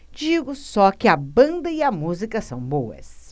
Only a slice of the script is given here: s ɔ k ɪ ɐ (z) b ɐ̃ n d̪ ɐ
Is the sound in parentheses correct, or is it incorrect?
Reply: incorrect: none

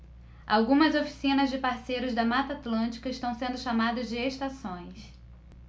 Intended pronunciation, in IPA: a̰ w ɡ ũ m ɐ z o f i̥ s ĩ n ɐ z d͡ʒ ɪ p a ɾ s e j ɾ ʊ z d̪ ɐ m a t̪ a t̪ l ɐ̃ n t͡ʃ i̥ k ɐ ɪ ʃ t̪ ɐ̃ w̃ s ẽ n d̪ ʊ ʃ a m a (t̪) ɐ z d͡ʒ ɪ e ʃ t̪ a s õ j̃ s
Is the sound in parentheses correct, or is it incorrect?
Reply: incorrect: d̪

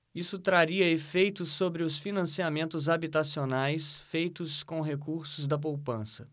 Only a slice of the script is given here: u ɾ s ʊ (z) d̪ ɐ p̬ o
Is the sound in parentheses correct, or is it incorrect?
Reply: correct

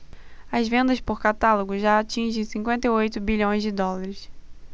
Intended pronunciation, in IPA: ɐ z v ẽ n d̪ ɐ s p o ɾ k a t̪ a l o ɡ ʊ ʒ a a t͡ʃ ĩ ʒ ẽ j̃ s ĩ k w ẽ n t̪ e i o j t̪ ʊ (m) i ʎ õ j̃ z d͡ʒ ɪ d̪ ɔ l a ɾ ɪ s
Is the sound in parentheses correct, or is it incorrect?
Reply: incorrect: b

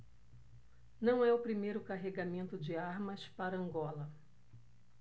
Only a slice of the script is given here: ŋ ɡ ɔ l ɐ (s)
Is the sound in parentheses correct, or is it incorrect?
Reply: incorrect: none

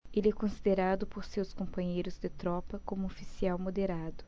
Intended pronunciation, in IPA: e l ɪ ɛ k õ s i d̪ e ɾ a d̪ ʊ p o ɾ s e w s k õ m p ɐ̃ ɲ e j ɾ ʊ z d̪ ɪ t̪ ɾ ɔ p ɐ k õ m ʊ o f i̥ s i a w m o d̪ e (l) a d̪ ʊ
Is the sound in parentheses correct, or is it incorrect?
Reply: incorrect: ɾ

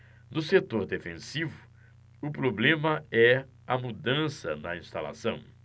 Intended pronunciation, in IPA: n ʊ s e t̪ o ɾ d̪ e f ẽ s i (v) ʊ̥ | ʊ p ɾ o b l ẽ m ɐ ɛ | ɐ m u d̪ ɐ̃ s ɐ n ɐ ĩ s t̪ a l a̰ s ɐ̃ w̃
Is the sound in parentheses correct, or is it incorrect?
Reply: correct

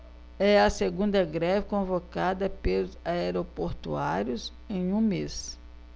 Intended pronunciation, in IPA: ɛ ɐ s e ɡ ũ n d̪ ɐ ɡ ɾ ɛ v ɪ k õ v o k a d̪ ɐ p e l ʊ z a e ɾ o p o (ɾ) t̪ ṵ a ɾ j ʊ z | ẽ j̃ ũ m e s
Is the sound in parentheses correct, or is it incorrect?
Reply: correct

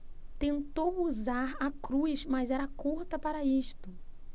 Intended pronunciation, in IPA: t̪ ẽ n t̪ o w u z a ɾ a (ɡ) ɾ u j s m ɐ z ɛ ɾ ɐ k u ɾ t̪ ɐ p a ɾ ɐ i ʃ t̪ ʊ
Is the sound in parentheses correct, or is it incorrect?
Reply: incorrect: k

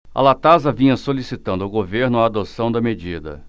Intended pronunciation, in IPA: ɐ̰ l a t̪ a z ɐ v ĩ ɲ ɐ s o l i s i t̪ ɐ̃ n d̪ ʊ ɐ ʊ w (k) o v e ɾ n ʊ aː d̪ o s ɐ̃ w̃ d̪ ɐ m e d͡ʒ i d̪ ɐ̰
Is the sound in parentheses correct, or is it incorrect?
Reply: incorrect: ɡ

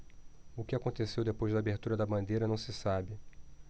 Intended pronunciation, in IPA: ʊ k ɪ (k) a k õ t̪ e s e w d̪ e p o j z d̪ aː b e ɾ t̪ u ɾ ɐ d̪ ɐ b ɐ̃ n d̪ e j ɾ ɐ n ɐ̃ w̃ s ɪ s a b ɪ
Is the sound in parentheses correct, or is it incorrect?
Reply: incorrect: none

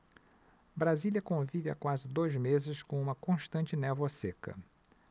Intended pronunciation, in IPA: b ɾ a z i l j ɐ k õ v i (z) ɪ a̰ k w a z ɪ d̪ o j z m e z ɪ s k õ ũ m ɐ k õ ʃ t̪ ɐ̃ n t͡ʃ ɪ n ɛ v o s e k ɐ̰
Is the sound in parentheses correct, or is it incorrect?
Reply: incorrect: v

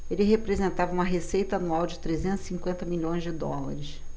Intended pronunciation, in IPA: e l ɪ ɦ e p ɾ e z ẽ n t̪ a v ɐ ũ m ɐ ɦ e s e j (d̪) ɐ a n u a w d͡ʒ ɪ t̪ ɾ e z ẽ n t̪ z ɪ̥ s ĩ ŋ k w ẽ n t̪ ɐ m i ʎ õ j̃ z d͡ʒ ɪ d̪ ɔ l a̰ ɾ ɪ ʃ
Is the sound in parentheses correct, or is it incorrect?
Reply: incorrect: t̪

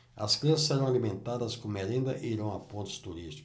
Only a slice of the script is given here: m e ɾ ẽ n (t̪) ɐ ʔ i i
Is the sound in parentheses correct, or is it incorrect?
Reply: incorrect: d̪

